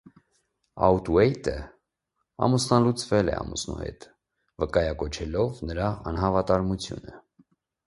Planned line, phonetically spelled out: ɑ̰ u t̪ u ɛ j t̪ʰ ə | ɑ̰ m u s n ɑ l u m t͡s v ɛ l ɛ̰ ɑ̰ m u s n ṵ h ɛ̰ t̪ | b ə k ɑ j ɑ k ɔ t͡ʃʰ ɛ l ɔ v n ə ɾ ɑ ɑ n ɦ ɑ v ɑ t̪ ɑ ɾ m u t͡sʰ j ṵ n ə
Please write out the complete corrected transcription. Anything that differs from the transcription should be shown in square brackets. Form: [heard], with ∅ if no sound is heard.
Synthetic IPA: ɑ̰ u t̪ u ɛ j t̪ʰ ə | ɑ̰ m u s n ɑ l u [∅] t͡s v ɛ l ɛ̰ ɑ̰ m u s n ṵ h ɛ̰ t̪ | [v] ə k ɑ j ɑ k ɔ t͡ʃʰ ɛ l ɔ v n ə ɾ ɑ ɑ n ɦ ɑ v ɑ t̪ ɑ ɾ m u t͡sʰ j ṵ n ə